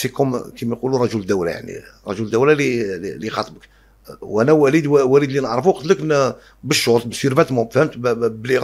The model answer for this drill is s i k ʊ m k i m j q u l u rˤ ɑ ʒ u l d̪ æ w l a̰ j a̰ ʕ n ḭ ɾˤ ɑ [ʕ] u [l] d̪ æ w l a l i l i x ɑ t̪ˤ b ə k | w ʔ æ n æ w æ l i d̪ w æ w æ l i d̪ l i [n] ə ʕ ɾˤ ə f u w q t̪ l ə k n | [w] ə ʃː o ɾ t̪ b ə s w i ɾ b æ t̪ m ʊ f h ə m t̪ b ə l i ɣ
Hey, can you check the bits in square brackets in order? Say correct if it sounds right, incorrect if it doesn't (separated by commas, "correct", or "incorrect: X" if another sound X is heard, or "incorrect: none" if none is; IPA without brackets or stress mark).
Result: incorrect: ʒ, correct, correct, incorrect: b